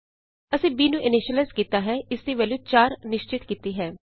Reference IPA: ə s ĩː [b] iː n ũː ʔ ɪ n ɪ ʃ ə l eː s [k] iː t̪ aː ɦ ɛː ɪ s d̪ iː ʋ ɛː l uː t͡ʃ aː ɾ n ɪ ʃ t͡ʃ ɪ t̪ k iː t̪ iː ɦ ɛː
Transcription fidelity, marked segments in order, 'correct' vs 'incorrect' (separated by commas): correct, correct